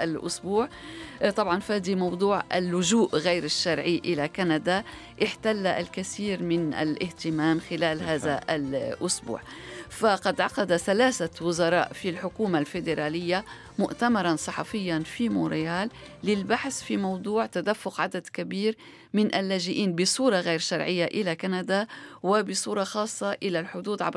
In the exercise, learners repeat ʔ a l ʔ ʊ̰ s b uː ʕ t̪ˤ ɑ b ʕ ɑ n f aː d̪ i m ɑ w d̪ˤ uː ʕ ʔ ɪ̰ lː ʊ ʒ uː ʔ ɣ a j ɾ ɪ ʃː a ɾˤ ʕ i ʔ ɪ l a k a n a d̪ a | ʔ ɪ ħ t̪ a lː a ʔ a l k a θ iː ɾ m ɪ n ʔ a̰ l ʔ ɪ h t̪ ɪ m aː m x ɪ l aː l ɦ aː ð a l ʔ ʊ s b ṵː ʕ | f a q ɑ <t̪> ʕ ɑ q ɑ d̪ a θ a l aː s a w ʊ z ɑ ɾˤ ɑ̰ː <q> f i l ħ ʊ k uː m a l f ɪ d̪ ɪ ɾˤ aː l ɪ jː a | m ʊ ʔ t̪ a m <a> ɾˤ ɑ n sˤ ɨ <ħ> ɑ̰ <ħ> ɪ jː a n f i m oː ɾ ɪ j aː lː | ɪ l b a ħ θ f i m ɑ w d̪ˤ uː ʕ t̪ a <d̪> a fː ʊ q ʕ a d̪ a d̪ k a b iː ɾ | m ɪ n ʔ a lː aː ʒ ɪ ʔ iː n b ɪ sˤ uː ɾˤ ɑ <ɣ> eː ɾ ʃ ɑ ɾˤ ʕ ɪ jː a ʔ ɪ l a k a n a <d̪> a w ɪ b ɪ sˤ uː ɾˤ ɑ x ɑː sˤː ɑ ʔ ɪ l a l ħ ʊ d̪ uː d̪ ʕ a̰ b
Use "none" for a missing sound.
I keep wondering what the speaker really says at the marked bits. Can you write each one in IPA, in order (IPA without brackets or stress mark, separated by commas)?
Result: d̪, ʔ, ɑ, ħ, f, d̪, ɣ, d̪